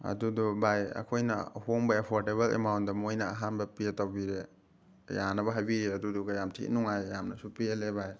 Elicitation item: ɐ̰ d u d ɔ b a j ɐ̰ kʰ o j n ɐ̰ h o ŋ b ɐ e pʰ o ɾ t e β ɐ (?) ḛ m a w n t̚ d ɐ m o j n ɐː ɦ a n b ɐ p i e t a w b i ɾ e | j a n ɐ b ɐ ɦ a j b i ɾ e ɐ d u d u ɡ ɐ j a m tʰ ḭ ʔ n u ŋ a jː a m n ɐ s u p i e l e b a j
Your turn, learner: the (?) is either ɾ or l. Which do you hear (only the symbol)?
l